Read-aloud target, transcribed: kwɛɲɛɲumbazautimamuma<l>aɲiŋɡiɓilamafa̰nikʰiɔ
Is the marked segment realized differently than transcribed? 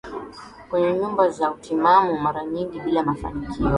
yes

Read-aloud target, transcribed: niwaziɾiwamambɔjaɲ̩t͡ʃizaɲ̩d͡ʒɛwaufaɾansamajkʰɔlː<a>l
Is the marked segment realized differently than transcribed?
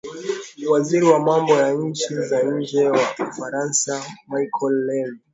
yes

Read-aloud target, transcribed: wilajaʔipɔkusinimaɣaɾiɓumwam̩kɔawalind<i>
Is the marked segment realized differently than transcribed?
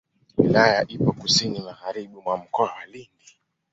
no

